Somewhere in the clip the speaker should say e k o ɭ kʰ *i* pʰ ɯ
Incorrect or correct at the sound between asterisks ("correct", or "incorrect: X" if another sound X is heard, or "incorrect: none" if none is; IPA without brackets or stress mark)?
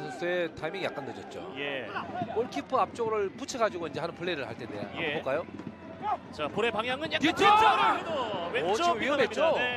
correct